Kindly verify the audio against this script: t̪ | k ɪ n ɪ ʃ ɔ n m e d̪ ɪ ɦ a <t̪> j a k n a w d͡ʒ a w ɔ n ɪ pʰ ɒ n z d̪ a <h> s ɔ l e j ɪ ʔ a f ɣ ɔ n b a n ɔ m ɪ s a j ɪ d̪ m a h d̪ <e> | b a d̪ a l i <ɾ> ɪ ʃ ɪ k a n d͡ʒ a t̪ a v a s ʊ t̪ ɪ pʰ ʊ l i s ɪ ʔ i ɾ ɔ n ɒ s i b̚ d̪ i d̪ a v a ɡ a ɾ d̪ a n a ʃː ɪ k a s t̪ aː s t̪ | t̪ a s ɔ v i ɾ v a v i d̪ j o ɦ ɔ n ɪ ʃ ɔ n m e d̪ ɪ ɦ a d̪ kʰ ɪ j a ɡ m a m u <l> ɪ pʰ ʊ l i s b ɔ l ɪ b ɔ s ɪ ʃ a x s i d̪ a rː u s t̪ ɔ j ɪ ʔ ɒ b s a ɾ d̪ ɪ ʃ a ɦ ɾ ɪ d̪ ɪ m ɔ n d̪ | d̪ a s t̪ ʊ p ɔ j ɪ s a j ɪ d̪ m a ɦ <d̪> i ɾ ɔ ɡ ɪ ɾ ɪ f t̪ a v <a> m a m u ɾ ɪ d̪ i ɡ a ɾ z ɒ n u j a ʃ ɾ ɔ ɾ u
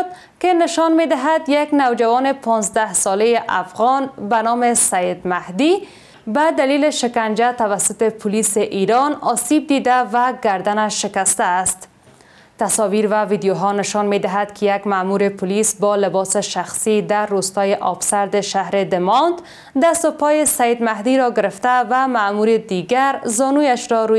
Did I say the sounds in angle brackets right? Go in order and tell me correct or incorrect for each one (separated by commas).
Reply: incorrect, correct, incorrect, incorrect, incorrect, correct, correct